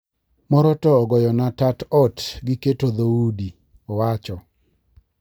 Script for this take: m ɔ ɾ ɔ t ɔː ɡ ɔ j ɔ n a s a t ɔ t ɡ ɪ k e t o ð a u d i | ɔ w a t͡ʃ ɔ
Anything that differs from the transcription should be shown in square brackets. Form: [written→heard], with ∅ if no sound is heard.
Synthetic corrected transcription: m ɔ ɾ ɔ t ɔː ɡ ɔ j ɔ n a [s→t] a t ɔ t ɡ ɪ k e t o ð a u d i | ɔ w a t͡ʃ ɔ